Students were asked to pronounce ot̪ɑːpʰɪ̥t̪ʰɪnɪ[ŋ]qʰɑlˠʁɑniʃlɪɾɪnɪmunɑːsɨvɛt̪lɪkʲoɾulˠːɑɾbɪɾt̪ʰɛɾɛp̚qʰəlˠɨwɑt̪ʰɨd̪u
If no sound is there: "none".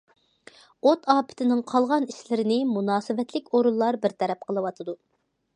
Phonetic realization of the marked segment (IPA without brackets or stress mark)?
ŋ